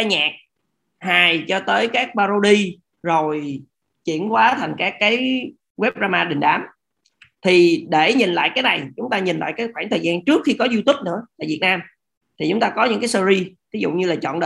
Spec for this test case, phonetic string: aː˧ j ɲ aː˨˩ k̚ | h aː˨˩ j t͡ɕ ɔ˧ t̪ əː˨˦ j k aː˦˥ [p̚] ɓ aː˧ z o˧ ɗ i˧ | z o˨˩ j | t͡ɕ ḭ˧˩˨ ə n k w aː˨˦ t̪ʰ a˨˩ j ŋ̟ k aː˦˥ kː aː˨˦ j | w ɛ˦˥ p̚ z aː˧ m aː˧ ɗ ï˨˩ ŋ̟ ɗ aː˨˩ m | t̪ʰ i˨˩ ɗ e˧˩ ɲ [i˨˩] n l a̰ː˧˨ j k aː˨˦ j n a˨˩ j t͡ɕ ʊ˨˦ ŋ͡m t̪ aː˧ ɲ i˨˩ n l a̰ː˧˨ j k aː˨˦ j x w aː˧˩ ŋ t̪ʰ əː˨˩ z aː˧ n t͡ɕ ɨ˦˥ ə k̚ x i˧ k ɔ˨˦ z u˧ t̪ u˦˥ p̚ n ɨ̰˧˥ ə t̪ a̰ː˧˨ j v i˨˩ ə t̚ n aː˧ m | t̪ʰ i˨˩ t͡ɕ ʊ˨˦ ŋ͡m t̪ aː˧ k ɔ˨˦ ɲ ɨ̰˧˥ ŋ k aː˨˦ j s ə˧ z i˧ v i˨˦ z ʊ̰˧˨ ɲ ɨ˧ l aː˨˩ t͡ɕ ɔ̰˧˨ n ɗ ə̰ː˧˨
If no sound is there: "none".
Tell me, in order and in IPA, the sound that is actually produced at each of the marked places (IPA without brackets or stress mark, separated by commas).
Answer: k̚, i˨˩